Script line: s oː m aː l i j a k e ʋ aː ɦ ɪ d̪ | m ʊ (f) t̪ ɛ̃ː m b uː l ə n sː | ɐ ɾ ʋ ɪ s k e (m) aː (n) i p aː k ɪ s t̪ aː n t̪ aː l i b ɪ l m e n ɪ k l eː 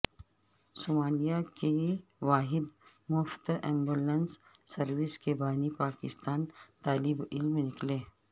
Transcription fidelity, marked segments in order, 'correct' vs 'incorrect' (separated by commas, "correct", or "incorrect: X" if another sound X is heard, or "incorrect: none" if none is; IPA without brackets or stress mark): correct, incorrect: b, correct